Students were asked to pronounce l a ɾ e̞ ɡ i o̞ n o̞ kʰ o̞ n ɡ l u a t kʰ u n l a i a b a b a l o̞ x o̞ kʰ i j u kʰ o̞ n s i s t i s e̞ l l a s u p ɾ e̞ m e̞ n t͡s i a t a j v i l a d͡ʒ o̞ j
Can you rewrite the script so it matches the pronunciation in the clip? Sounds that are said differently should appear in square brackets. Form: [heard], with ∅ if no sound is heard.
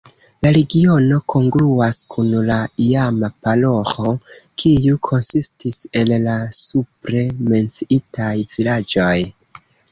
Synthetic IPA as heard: l a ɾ e̞ ɡ i o̞ n o̞ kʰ o̞ [ŋ] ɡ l u a [s] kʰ u n l a i a [m] a [p] a l o̞ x o̞ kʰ i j u kʰ o̞ n s i s t i s e̞ l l a s u p ɾ e̞ m e̞ n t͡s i [i] t a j v i l a d͡ʒ o̞ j